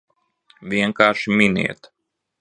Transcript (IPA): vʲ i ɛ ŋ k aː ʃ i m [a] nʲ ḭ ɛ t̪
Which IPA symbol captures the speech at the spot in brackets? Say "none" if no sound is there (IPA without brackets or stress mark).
i